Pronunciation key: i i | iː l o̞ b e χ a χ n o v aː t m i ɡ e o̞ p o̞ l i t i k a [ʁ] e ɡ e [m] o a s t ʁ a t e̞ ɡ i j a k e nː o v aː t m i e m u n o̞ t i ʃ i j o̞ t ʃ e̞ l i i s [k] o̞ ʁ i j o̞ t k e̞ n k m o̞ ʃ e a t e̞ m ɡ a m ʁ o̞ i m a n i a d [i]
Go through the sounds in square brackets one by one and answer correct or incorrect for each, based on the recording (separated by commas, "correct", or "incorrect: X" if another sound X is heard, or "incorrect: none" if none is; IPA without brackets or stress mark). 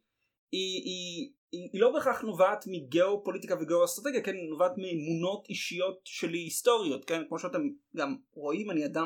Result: incorrect: v, incorrect: none, incorrect: t, incorrect: a